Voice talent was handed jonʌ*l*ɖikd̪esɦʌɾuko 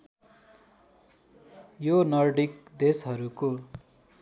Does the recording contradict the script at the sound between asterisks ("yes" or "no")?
yes